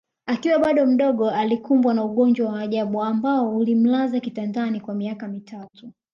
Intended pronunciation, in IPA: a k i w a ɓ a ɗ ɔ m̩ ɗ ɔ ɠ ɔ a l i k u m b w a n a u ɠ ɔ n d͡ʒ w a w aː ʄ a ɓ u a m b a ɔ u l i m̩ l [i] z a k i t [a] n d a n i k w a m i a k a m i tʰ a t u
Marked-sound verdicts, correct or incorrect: incorrect, correct

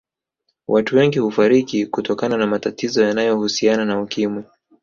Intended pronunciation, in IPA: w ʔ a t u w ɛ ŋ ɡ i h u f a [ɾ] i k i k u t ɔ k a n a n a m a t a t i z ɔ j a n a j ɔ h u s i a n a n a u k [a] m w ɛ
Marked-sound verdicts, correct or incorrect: correct, incorrect

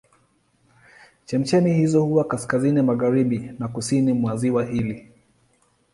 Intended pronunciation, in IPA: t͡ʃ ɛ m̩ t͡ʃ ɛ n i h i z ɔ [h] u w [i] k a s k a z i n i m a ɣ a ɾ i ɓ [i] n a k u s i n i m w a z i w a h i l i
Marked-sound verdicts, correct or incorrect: correct, incorrect, correct

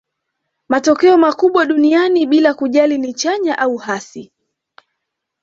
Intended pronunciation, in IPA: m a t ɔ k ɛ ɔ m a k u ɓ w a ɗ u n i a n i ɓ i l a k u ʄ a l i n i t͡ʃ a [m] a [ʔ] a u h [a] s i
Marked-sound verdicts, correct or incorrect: incorrect, correct, correct

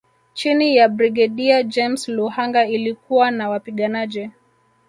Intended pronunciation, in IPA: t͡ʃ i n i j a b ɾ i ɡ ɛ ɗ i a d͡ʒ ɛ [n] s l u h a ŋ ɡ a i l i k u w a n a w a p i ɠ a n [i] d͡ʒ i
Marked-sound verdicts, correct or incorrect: incorrect, incorrect

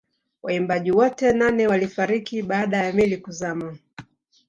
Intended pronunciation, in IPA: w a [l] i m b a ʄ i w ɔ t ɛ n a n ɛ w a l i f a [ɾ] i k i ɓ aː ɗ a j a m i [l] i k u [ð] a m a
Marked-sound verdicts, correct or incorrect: incorrect, correct, correct, incorrect

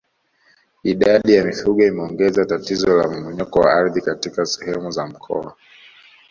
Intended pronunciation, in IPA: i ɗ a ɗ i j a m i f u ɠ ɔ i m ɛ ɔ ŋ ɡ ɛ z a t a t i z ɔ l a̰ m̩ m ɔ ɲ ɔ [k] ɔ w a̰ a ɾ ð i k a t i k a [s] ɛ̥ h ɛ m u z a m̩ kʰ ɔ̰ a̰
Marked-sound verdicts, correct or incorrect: correct, correct

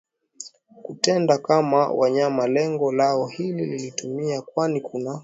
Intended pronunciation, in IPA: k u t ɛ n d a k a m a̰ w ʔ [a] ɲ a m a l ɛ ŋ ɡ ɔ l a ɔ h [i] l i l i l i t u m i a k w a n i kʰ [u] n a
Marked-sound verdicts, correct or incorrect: correct, correct, correct

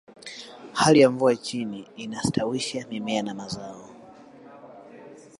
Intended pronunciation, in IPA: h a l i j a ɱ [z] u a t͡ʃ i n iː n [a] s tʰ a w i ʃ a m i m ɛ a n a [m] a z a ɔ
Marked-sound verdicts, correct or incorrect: incorrect, correct, correct

